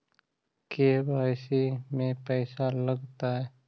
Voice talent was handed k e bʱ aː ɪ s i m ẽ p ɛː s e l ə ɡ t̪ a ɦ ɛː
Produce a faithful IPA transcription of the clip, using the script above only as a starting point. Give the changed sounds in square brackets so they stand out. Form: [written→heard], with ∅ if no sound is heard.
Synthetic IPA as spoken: k e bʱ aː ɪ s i m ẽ p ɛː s [e→a] l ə ɡ t̪ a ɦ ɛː